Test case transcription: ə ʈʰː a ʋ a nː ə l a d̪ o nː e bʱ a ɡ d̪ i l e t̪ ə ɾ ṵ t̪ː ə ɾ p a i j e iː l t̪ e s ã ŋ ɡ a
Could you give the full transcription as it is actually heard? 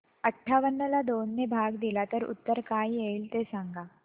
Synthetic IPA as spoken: ə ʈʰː a ʋ ə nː ə l a d̪ o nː e bʱ a ɡ d̪ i l a t̪ ə ɾ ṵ t̪ː ə ɾ k a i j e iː l t̪ e s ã ŋ ɡ a

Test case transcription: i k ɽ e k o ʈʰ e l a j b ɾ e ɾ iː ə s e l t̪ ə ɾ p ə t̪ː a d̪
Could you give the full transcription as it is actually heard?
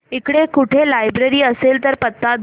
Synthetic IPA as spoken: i k ɽ e k u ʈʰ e l a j b ɾ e ɾ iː ə s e l t̪ ə ɾ p ə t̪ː a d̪

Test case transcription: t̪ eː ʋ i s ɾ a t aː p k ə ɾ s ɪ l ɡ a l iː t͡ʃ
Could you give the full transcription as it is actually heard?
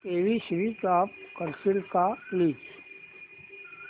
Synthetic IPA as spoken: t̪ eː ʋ i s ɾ i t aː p k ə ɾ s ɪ l k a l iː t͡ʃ

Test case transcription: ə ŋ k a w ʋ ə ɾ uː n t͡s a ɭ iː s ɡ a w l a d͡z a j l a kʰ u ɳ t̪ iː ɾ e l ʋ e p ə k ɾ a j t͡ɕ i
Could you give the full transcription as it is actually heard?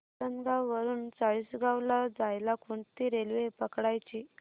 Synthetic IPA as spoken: ə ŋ ɡ a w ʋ ə ɾ uː n t͡s a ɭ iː s ɡ a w l a d͡z a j l a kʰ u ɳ t̪ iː ɾ e l ʋ e p ə k ɽ a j t͡ɕ i

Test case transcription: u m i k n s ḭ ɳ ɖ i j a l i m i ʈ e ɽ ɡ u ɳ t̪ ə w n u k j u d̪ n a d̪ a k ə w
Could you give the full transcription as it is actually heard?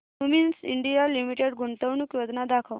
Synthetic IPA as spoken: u m i n s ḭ ɳ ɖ i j a l i m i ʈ e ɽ ɡ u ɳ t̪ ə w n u k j o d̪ n a d̪ a kʰ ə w

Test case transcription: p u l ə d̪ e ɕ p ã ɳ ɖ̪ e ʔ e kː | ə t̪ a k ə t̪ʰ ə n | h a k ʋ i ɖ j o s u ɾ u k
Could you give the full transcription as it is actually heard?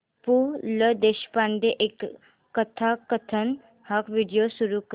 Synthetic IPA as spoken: p u l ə d̪ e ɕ p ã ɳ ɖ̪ e ʔ e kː | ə t̪ʰ a k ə t̪ʰ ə n | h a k ʋ i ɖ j o s u ɾ u k

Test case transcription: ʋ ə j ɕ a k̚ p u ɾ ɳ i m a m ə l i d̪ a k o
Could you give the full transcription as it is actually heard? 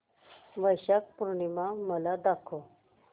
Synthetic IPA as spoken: ʋ ə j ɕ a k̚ p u ɾ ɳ i m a m ə l a d̪ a kʰ o

